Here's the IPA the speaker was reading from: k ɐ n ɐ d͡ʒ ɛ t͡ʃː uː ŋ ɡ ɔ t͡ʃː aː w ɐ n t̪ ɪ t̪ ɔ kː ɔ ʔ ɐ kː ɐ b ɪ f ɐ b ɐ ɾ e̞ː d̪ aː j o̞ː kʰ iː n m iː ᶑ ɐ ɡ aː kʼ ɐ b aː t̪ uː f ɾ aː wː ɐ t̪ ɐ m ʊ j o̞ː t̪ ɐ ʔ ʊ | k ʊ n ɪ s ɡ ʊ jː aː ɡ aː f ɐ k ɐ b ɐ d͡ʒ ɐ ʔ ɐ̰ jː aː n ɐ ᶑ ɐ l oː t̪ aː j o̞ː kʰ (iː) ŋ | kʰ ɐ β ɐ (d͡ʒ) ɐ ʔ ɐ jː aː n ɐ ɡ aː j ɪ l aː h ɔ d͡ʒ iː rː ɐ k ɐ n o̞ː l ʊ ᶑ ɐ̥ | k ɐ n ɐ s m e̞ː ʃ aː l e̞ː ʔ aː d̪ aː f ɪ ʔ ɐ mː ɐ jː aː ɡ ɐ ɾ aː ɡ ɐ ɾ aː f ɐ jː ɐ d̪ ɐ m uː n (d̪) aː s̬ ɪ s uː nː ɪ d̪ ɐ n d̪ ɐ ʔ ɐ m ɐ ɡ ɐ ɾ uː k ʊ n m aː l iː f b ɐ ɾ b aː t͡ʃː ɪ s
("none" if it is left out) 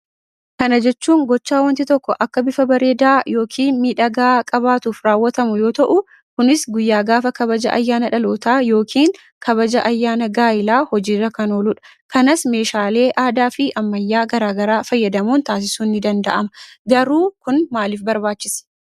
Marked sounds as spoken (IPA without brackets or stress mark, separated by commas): iː, d͡ʒ, t̪